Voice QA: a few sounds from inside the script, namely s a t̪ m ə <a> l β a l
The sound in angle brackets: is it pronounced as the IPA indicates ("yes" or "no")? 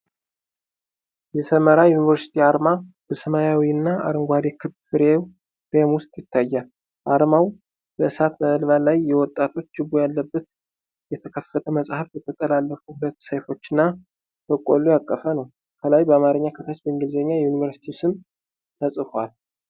no